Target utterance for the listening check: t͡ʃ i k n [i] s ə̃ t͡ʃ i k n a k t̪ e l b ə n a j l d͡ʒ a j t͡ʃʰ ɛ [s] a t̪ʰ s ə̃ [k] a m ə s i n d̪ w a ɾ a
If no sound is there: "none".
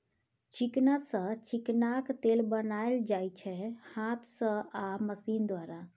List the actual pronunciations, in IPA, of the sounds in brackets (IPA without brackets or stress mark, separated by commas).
a, h, none